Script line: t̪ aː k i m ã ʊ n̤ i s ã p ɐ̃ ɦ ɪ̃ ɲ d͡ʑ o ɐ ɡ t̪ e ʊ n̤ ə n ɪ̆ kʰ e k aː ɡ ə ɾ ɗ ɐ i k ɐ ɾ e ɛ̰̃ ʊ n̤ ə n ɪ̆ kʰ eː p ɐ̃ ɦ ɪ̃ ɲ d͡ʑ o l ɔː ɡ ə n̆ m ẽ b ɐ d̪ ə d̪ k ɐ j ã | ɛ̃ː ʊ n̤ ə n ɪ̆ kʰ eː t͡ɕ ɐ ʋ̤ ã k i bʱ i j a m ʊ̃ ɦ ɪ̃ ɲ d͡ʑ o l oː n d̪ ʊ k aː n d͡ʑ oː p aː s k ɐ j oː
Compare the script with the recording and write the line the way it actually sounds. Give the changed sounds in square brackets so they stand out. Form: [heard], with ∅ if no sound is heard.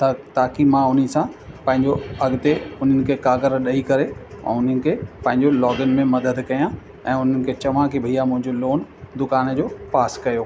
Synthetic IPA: t̪ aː k i m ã ʊ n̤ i s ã p ɐ̃ ɦ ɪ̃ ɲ d͡ʑ o ɐ ɡ t̪ e ʊ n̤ ə n ɪ̆ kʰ e k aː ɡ ə ɾ ɗ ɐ i k ɐ ɾ e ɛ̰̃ ʊ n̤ ə n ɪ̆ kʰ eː p ɐ̃ ɦ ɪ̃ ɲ d͡ʑ o l ɔː ɡ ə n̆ m ẽ [m] ɐ d̪ ə d̪ k ɐ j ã | ɛ̃ː ʊ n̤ ə n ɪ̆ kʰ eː t͡ɕ ɐ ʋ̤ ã k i bʱ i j a m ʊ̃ ɦ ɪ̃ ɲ d͡ʑ o l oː n d̪ ʊ k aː n d͡ʑ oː p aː s k ɐ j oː